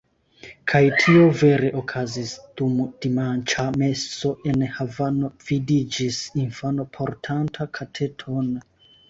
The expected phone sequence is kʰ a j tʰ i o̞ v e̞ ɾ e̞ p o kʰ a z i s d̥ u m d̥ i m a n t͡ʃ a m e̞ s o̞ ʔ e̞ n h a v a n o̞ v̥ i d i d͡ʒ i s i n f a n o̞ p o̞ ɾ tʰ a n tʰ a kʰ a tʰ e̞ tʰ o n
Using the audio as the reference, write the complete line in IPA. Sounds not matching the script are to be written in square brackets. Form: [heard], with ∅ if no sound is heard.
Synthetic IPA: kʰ a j tʰ i o̞ v e̞ ɾ e̞ [ʔ] o kʰ a z i s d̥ u m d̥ i m a n t͡ʃ a m e̞ s o̞ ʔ e̞ n h a v a n o̞ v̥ i d i d͡ʒ i s i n f a n o̞ [pʰ] o̞ ɾ tʰ a n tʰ a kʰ a tʰ e̞ tʰ o n